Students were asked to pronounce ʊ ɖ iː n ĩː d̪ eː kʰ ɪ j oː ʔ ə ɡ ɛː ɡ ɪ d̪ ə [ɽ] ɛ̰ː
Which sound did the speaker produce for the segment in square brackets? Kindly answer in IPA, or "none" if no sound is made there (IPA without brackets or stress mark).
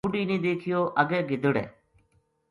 ɽ